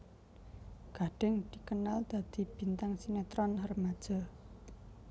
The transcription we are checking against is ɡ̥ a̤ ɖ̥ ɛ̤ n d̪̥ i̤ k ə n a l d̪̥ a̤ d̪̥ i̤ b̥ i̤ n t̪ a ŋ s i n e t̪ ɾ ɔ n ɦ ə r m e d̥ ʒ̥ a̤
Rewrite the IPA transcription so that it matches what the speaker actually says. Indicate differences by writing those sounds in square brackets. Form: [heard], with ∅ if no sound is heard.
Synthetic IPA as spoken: ɡ̥ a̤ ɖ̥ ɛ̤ [ŋ] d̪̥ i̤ k ə n a l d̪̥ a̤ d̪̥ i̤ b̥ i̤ n t̪ a ŋ s i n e t̪ ɾ ɔ n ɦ ə r m [a] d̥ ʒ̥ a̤